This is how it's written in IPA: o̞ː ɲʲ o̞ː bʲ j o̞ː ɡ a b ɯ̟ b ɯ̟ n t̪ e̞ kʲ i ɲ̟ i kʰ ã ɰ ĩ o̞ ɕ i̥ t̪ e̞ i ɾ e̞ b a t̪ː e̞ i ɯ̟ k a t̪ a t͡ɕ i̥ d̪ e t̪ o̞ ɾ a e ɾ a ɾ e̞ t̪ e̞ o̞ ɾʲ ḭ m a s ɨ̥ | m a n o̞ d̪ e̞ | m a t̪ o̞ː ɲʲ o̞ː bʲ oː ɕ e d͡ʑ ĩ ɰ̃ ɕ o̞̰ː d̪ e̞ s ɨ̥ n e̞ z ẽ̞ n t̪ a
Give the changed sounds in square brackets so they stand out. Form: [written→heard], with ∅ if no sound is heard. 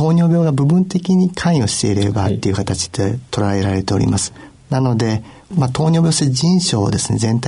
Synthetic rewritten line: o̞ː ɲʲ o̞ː bʲ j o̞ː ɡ a b ɯ̟ b [ɯ̟→ɯ̟̃] n t̪ e̞ kʲ i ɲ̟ i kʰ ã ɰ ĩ o̞ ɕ i̥ t̪ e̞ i ɾ e̞ b a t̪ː e̞ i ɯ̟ k a t̪ a t͡ɕ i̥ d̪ e t̪ o̞ ɾ a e ɾ a ɾ e̞ t̪ e̞ o̞ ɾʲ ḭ m a s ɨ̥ | [m→n] a n o̞ d̪ e̞ | m a t̪ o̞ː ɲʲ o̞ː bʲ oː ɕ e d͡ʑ ĩ ɰ̃ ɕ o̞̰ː d̪ e̞ s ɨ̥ n e̞ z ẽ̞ n t̪ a